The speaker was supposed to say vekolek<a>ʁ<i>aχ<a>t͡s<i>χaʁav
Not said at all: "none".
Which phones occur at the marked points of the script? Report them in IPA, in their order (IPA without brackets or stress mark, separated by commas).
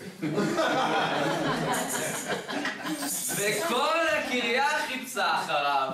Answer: i, j, i, a